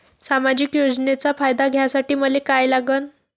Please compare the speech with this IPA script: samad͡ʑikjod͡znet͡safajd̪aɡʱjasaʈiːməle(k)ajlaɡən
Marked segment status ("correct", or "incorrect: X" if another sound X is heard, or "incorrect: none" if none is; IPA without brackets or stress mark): correct